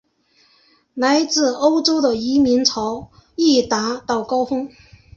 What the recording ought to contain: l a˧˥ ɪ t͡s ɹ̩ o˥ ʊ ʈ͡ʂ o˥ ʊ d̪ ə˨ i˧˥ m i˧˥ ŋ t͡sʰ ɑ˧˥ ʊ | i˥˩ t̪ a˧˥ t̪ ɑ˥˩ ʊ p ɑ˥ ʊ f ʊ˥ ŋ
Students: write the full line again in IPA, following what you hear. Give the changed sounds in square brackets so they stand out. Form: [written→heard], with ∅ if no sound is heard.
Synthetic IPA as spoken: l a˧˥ ɪ t͡s ɹ̩ o˥ ʊ ʈ͡ʂ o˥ ʊ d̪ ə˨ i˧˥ m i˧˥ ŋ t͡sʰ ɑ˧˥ ʊ | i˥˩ t̪ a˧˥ t̪ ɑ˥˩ ʊ [p→k] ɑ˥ ʊ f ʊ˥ ŋ